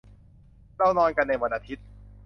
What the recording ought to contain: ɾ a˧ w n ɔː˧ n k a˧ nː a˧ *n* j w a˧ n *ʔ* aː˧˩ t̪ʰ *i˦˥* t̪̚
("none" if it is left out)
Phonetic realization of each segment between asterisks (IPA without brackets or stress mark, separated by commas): none, ʔ, i˦˥